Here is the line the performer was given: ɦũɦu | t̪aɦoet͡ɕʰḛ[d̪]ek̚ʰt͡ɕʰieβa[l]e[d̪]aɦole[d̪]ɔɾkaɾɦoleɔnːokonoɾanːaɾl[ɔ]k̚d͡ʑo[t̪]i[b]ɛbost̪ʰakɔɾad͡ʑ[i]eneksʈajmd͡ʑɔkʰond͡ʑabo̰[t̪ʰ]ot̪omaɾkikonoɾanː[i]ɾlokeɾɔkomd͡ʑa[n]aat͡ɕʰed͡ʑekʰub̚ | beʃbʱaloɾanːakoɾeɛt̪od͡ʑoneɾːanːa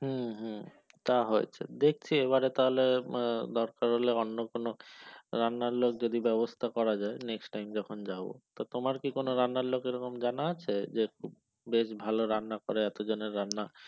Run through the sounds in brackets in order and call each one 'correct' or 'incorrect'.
correct, incorrect: ɾ, incorrect: t̪, correct, incorrect: o, incorrect: d̪, correct, incorrect: a, incorrect: t̪, incorrect: a, correct

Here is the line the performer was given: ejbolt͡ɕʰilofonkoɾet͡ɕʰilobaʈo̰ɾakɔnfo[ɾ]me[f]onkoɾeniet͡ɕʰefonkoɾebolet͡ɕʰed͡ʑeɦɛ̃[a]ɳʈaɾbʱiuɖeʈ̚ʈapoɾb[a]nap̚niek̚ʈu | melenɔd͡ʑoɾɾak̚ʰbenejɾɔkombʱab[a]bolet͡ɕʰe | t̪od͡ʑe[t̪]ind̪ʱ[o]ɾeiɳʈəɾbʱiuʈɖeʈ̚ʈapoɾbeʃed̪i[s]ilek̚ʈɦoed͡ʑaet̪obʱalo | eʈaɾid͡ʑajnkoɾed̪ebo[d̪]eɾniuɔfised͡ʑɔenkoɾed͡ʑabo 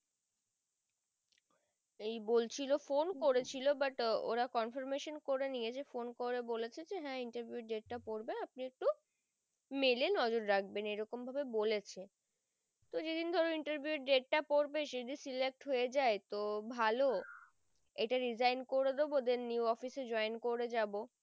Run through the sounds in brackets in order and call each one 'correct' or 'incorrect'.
correct, incorrect: ʃ, incorrect: i, incorrect: e, incorrect: e, incorrect: d̪, incorrect: ɔ, correct, correct

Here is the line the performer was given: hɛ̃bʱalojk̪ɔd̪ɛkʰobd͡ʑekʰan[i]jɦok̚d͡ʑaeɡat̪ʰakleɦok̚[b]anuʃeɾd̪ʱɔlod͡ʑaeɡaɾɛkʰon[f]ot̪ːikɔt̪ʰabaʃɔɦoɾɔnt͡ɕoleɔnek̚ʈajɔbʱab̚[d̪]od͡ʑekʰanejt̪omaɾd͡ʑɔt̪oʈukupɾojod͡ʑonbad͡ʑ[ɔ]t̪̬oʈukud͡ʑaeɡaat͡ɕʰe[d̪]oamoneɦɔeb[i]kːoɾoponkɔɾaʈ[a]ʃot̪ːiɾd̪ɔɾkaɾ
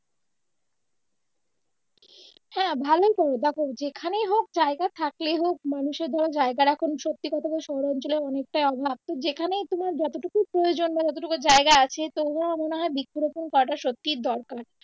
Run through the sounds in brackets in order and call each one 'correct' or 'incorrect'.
incorrect: e, incorrect: m, incorrect: ʃ, incorrect: t̪, correct, incorrect: t̪, correct, correct

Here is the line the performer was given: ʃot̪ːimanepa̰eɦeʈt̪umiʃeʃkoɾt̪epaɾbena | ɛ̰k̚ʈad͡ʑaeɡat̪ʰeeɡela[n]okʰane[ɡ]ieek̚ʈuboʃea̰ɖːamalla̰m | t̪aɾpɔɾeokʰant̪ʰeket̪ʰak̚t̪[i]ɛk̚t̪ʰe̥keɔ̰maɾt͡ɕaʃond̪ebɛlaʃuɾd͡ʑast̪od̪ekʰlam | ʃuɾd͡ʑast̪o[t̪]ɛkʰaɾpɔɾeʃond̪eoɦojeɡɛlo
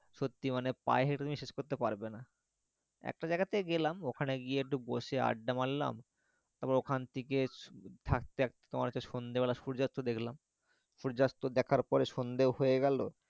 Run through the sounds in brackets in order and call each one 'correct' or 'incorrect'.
incorrect: m, correct, incorrect: e, incorrect: d̪

